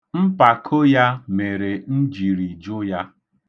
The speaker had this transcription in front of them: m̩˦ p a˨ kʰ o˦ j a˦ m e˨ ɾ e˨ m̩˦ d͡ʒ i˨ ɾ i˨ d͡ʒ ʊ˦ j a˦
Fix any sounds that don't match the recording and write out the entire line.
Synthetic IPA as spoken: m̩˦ p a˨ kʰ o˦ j a˦ m e˨ ɾ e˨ n̩˦ d͡ʒ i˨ ɾ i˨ d͡ʒ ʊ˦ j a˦